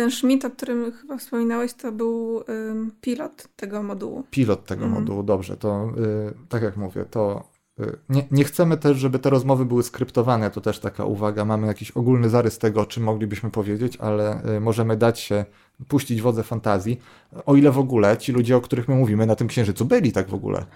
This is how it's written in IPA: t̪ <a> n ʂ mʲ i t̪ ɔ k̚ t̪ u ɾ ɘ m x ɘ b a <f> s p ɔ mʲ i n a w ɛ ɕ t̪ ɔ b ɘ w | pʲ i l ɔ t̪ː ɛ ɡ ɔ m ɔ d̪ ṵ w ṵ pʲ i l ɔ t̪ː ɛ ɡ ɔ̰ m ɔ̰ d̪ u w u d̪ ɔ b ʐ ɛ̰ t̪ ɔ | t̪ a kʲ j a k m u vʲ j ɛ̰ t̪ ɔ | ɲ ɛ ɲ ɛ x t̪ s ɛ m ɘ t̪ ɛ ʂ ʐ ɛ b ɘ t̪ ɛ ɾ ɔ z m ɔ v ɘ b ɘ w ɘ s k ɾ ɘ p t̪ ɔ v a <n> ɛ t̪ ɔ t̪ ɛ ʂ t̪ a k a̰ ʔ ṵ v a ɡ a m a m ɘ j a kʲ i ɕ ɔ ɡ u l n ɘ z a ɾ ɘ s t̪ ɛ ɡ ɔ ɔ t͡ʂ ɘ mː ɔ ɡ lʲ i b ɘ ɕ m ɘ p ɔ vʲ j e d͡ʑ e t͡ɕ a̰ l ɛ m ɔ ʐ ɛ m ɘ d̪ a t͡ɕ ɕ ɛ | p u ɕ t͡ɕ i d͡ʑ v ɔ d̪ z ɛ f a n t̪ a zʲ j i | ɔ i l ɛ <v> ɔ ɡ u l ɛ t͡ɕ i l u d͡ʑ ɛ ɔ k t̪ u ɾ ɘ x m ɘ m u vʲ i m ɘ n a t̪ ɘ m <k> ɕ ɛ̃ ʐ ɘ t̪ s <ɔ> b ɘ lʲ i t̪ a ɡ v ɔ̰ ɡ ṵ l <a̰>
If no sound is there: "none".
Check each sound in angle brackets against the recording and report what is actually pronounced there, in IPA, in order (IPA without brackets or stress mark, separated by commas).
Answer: ɛ, f, n, v, k, u, ɛ̰